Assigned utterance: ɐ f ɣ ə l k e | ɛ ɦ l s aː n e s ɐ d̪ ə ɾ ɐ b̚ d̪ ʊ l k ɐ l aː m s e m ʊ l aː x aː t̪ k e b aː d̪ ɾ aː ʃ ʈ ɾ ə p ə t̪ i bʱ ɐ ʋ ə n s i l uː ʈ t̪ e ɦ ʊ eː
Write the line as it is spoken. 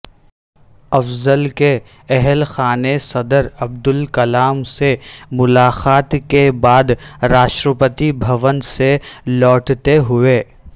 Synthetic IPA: ɐ f z ə l k e | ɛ ɦ l x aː n e s ɐ d̪ ə ɾ ɐ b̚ d̪ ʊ l k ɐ l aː m s e m ʊ l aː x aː t̪ k e b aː d̪ ɾ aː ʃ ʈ ɾ ə p ə t̪ i bʱ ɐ ʋ ə n s e l ɔː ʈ t̪ e ɦ ʊ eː